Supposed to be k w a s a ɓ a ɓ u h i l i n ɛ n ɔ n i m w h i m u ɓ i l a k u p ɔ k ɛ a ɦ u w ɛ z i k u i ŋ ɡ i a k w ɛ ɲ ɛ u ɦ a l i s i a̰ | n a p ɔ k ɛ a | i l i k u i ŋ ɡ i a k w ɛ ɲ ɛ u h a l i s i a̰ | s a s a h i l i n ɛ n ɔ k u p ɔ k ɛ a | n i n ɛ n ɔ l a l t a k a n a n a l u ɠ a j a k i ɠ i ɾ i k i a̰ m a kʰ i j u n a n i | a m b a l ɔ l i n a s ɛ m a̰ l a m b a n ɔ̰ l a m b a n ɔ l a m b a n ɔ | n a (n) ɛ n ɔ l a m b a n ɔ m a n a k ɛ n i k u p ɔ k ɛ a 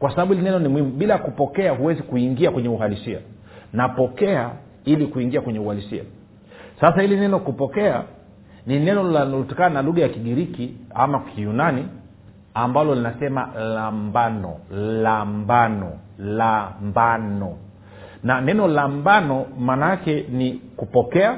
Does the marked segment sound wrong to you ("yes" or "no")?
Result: no